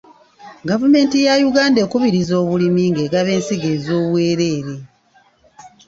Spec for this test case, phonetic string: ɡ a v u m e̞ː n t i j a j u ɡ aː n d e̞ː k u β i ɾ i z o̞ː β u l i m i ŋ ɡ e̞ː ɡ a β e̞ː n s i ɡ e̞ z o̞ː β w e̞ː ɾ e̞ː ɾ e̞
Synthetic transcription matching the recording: ɡ a v u m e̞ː n t i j a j u ɡ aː n d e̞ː k u β i ɾ i z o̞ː β u l i m i ŋ ɡ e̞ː ɡ a β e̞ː n s i ɡ e̞ z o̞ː β w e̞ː ɾ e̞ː ɾ e̞

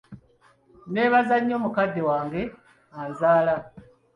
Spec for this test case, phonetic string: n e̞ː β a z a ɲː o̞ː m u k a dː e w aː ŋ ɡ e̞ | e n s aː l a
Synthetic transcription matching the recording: n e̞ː β a z a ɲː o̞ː m u k a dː e w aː ŋ ɡ e̞ | a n z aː l a

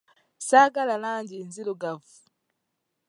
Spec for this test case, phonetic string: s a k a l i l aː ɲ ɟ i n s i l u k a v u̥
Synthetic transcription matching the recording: s a ɡ a l a l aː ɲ ɟ i n z i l u ɡ a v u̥

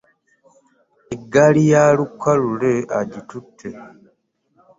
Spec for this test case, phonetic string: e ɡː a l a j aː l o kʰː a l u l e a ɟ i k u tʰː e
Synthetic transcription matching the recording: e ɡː a l i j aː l u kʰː a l u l e a ɟ i t u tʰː e

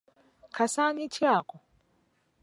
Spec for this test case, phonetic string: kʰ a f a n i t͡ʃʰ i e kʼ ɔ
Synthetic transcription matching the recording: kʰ a s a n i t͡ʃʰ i a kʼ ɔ

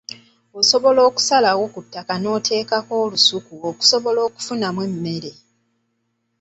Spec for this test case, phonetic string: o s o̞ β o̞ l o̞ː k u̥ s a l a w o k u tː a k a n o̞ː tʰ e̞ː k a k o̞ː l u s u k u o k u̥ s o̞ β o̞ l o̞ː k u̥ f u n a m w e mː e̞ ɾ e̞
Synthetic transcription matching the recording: o s o̞ β o̞ l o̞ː k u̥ s a l a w o k u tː a k a n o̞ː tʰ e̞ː k a k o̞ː l u s u k u o k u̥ s o̞ β o̞ l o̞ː k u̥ f u n a m w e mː e̞ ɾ e̞

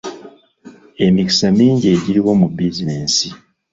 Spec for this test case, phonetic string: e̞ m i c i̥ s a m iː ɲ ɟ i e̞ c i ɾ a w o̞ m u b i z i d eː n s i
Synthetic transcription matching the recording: e̞ m i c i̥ s a m iː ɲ ɟ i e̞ ɟ i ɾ i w o̞ m u b i z i n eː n s i

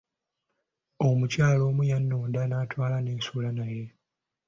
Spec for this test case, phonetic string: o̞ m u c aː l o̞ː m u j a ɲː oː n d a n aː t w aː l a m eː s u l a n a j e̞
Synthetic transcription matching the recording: o̞ m u c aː l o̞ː m u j a nː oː n d a n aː t w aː l a n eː s u l a n a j e̞

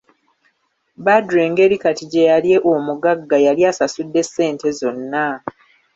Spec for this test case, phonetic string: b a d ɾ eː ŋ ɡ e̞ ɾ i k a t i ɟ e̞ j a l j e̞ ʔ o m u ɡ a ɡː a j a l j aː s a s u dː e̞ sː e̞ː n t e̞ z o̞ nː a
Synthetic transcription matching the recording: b a d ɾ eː ŋ ɡ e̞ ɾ i k a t i ɟ e̞ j a l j e̞ ʔ o m u ɡ a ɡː a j a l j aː s a s u dː e̞ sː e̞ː n t e̞ z o̞ nː a

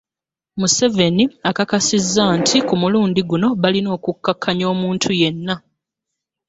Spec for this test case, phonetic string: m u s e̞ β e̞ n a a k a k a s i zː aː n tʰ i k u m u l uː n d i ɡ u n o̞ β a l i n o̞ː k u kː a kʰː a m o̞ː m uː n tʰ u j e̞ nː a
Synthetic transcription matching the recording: m u s e̞ v e̞ n i a k a k a s i zː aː n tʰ i k u m u l uː n d i ɡ u n o̞ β a l i n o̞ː k u kː a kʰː a ɲ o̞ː m uː n tʰ u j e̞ nː a

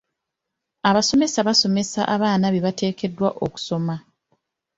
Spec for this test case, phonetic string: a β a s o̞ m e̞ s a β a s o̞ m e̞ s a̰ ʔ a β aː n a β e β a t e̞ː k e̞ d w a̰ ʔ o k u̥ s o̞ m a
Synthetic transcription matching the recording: a β a s o̞ m e̞ s a β a s o̞ m e̞ s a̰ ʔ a β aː n a β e β a t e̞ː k e̞ d w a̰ ʔ o k u̥ s o̞ m a

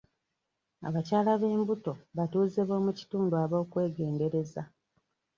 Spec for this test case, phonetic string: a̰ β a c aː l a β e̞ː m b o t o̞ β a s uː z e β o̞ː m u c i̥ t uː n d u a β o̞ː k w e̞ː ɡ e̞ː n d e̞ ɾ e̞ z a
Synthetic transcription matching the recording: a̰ β a c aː l a β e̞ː m b u t o̞ β a t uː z e β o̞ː m u c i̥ t uː n d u a β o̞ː k w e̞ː ɡ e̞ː n d e̞ ɾ e̞ z a

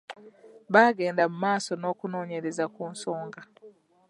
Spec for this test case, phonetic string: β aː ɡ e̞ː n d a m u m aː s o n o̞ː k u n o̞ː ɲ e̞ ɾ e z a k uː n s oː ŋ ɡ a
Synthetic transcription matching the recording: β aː ɡ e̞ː n d a m u m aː s o n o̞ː k u n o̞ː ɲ e̞ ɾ e z a k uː n s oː ŋ ɡ a

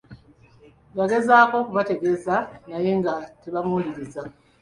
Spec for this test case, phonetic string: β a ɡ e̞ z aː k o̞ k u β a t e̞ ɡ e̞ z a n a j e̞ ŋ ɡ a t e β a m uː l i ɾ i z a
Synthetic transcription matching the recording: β a ɡ e̞ z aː k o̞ k u β a t e̞ ɡ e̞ z a n a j e̞ ŋ ɡ a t e β a m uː l i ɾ i z a

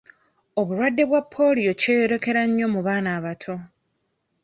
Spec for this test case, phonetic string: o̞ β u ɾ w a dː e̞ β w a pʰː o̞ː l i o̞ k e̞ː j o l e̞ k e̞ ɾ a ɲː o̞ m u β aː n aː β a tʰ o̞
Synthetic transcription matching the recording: o̞ β u ɾ w a dː e̞ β w a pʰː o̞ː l i o̞ c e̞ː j o ɾ e̞ k e̞ ɾ a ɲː o̞ m u β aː n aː β a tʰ o̞

